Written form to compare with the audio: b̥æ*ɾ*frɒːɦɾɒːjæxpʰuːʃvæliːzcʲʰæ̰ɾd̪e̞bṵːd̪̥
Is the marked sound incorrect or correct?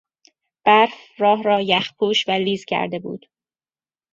correct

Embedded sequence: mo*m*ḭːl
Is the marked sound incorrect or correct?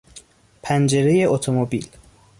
incorrect: b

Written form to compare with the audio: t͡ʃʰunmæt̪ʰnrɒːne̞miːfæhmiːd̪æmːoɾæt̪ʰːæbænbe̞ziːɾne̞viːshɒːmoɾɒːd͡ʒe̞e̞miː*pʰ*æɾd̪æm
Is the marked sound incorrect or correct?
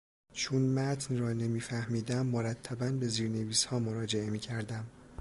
incorrect: cʰ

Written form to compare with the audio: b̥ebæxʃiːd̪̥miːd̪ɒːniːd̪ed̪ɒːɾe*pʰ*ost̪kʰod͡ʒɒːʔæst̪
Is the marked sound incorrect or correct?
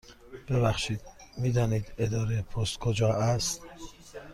correct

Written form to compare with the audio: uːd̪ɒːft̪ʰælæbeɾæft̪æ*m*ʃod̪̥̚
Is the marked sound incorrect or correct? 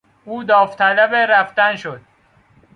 incorrect: n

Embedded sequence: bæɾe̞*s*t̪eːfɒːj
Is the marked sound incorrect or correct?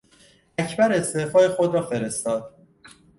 correct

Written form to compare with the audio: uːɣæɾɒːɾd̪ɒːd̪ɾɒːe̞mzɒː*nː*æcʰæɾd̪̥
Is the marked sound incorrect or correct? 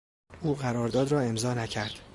incorrect: n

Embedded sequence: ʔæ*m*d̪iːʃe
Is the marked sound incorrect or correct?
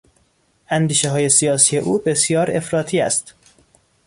incorrect: n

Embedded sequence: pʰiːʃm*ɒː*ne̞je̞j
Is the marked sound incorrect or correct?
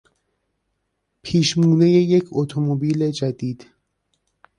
incorrect: uː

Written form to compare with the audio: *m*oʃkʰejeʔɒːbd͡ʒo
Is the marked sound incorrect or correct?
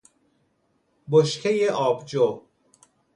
incorrect: b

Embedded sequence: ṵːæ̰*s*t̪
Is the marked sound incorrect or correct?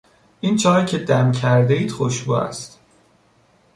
correct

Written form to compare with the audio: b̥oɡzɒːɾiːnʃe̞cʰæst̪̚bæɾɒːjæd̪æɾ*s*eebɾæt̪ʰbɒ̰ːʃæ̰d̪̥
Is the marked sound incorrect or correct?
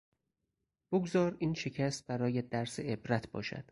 correct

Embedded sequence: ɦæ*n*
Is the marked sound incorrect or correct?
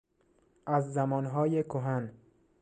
correct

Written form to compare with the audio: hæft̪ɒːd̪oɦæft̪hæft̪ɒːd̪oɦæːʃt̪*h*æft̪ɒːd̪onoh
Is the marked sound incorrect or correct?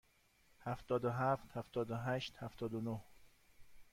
correct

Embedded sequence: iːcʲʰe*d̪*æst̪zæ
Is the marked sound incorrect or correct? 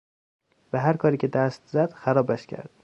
correct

